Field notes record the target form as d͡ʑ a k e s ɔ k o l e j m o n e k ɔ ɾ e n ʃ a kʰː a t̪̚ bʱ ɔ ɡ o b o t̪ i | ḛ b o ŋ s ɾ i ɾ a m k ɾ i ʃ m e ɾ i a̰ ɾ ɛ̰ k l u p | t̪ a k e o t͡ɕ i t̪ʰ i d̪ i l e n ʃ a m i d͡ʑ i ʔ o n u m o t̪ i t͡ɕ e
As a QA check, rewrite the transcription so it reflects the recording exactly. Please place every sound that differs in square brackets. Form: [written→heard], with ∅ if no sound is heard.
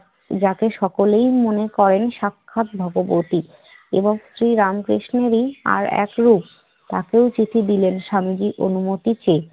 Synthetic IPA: d͡ʑ a k e [s→ʃ] ɔ k o l e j m o n e k ɔ ɾ e n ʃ a kʰː a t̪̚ bʱ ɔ ɡ o b o t̪ i | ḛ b o ŋ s ɾ i ɾ a m k ɾ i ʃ [m→n] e ɾ i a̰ ɾ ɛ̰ k [l→ɾ] u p | t̪ a k e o t͡ɕ i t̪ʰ i d̪ i l e n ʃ a m i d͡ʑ i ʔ o n u m o t̪ i t͡ɕ e

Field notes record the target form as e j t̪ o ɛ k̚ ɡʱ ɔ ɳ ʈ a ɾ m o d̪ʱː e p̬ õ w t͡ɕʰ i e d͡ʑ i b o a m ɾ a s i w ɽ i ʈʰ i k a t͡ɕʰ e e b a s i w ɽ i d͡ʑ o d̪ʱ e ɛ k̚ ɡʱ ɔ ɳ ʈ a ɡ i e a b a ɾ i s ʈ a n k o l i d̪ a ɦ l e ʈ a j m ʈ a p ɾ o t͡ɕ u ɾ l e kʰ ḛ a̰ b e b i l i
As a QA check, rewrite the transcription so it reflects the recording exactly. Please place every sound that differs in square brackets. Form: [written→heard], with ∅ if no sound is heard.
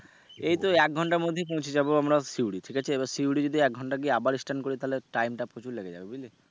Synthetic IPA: e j t̪ o ɛ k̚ ɡʱ ɔ ɳ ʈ a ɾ m o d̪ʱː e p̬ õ w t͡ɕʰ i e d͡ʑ [i→a] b o a m ɾ a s i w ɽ i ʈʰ i k a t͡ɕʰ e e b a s i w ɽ i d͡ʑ o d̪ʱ [e→i] ɛ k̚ ɡʱ ɔ ɳ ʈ a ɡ i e a b a ɾ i s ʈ a n k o [l→ɾ] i [d̪→t̪] a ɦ l e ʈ a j m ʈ a p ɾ o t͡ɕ u ɾ l e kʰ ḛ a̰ b e b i l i

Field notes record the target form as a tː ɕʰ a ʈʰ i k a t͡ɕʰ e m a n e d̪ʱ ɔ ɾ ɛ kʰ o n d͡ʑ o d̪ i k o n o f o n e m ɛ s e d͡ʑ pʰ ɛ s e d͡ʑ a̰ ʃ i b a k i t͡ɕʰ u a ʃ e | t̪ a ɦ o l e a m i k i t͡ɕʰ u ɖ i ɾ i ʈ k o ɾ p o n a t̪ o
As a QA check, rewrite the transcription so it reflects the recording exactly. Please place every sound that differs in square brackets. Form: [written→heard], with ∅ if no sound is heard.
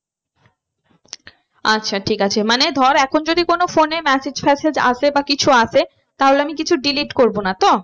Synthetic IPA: a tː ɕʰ a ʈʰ i k a t͡ɕʰ e m a n e d̪ʱ ɔ ɾ ɛ kʰ o n d͡ʑ o d̪ i k o n o f o n e m ɛ s e d͡ʑ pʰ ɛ s e d͡ʑ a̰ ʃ [i→e] b a k i t͡ɕʰ u a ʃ e | t̪ a ɦ o l e a m i k i t͡ɕʰ u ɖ i [ɾ→l] i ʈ k o ɾ [p→b] o n a t̪ o

